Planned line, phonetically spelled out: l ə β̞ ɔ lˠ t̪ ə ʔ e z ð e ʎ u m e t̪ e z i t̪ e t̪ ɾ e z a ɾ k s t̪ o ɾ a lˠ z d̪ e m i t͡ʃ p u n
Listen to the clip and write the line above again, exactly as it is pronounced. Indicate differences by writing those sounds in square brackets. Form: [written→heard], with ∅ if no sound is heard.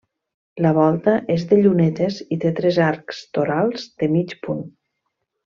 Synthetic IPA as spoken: l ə β̞ ɔ lˠ t̪ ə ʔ e z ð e ʎ u [m→n] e t̪ e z i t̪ e t̪ ɾ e z a ɾ k s t̪ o ɾ a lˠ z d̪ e m i t͡ʃ p u n